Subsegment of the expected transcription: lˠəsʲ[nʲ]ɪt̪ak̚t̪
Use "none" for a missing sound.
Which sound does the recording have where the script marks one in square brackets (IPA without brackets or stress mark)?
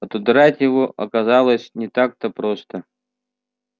nʲ